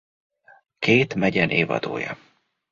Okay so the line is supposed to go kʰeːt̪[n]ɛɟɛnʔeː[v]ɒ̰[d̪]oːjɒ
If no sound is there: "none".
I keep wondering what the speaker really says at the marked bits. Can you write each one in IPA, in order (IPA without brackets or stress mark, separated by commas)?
m, v, d̪